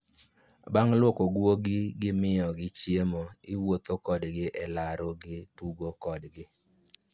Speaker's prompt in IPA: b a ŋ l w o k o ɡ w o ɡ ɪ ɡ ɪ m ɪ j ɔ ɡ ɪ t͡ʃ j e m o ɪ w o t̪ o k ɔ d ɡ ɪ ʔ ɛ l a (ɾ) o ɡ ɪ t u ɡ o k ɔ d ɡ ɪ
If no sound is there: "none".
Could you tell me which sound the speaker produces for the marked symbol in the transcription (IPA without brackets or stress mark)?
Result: ɾ